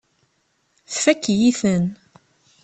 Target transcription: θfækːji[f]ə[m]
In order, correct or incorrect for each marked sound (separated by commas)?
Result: incorrect, incorrect